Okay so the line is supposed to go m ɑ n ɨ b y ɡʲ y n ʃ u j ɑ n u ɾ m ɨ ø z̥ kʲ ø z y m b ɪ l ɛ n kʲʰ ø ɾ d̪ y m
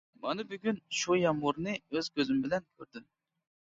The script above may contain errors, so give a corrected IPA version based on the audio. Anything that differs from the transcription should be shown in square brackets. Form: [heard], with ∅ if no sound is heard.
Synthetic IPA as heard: m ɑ n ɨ b y ɡʲ y n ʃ u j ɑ [m] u ɾ [n] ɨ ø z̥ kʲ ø z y m b ɪ l ɛ n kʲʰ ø ɾ d̪ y m